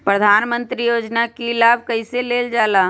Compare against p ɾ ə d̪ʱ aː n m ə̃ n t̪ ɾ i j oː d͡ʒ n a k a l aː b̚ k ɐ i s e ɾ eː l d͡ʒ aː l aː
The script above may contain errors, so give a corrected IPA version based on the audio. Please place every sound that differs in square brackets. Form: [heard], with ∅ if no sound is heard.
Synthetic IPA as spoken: p ɾ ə d̪ʱ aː n m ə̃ n t̪ ɾ i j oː d͡ʒ n a k [i] l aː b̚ k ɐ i s e [l] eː l d͡ʒ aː l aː